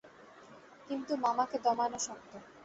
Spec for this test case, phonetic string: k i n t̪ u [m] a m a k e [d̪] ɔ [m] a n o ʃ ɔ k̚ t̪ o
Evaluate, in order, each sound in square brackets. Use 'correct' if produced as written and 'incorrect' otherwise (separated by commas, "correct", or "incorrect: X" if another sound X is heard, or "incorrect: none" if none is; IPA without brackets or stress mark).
correct, correct, correct